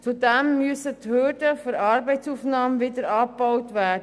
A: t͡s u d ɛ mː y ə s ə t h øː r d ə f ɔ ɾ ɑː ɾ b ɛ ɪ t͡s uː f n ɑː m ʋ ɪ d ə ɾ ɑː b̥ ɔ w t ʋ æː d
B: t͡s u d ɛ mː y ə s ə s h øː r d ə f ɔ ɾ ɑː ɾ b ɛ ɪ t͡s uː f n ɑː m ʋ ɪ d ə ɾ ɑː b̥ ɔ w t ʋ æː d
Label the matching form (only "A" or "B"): A